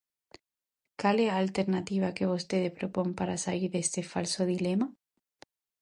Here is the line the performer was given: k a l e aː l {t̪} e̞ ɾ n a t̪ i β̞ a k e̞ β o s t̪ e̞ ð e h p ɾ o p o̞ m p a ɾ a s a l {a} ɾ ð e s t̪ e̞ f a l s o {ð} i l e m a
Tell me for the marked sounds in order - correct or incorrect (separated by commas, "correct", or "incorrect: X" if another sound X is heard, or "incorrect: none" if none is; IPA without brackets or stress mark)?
correct, incorrect: i, correct